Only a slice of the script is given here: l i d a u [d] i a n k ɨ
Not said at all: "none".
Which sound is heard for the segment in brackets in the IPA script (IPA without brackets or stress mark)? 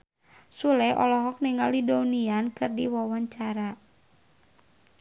n